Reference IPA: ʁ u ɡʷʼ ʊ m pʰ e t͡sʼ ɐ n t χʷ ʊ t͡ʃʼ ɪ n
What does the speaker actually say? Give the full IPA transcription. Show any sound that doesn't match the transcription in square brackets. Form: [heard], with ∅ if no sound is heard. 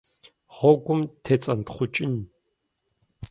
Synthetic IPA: ʁ [ɔ] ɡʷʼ ʊ m [tʰ] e t͡sʼ ɐ n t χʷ ʊ t͡ʃʼ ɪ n